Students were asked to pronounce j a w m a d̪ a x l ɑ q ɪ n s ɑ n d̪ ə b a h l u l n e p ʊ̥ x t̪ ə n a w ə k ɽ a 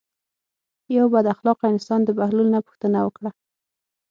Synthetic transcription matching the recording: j a w b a d̪ a x l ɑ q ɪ n s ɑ n d̪ ə b a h l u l n a p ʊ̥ x t̪ ə n a w ə k ɽ a